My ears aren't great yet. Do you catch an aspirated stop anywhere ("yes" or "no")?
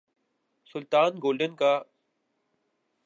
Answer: no